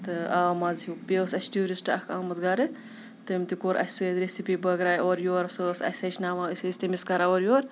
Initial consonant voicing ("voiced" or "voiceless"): voiceless